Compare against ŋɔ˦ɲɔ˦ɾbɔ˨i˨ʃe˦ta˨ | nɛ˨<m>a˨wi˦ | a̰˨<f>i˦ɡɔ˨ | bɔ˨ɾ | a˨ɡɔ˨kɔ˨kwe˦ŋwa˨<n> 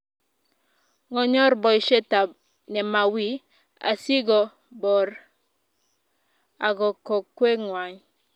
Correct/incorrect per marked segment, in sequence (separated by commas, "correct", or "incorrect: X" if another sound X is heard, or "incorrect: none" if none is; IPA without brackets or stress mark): correct, incorrect: s, incorrect: ɲ